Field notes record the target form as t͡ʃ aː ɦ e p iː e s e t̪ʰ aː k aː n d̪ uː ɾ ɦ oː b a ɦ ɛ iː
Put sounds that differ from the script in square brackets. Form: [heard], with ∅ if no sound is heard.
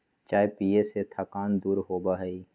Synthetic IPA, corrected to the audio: t͡ʃ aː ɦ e p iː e s e t̪ʰ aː k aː n d̪ uː ɾ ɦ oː b a ɦ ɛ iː